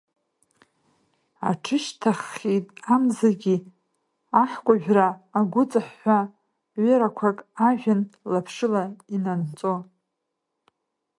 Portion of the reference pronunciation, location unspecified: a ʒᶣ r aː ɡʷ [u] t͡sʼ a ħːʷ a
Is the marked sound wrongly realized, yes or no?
yes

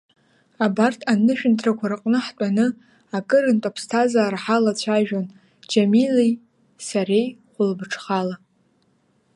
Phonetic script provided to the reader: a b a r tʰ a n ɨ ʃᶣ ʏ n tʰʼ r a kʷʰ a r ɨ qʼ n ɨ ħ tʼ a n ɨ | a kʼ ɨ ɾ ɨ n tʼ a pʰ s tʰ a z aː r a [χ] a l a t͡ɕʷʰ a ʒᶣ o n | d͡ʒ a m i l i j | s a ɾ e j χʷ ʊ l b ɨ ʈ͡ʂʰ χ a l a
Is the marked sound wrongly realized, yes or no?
yes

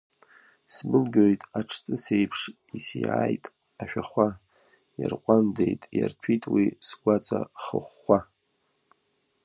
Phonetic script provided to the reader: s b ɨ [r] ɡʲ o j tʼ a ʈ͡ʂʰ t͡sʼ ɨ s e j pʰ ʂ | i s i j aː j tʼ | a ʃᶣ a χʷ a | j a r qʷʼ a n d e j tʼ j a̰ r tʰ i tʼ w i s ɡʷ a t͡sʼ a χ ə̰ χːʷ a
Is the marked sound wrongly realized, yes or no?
yes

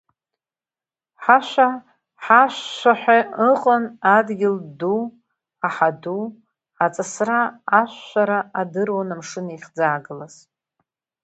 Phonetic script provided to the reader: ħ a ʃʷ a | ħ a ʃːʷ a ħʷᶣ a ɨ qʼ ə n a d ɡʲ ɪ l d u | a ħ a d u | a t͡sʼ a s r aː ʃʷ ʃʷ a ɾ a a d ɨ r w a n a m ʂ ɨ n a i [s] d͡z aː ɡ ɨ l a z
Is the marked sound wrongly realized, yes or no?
yes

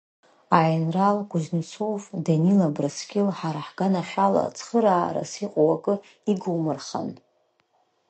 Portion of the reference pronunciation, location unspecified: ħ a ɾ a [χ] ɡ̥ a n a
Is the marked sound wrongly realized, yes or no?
yes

